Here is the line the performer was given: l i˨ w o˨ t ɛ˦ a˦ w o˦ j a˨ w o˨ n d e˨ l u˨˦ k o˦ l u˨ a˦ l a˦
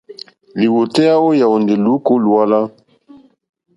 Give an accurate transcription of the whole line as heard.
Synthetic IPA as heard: l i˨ w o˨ t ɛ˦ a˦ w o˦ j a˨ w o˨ n d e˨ l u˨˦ k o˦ l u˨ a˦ l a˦